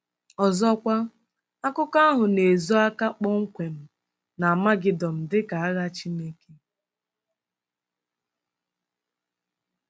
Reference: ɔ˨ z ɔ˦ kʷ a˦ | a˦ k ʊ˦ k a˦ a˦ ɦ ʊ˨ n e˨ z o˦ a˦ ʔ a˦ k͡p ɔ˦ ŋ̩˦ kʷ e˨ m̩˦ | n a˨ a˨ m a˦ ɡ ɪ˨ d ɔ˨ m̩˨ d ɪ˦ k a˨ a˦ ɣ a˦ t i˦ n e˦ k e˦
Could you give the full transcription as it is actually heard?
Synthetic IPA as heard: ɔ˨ z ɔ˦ kʷ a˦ | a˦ k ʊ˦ k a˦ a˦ ɦ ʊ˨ n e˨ z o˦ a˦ k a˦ k͡p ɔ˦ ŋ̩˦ kʷ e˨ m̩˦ | n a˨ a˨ m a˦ ɡ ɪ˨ d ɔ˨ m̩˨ d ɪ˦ k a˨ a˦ ɣ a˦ t͡ʃ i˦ n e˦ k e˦